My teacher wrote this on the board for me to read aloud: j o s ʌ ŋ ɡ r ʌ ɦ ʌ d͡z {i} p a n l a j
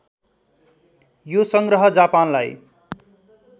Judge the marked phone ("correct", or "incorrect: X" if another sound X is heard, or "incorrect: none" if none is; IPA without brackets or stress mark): incorrect: a